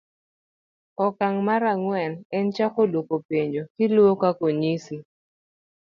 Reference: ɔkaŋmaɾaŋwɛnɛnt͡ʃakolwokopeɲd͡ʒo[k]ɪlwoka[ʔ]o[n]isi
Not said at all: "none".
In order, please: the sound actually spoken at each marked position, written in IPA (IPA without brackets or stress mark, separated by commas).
k, k, ɲ